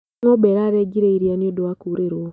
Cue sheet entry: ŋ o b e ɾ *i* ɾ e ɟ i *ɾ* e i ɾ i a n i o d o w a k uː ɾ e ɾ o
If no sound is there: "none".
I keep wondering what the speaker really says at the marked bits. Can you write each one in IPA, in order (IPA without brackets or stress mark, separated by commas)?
a, ɾ